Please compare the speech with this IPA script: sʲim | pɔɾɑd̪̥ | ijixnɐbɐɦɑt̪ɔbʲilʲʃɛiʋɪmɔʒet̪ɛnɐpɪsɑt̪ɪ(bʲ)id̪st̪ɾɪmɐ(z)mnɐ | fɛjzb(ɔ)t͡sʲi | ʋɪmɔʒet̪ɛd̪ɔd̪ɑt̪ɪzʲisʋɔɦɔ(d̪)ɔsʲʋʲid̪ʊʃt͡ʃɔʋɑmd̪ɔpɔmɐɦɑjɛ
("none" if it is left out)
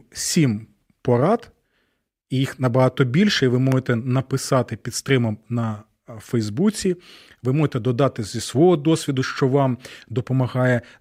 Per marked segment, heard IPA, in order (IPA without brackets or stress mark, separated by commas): pʲ, none, u, d̪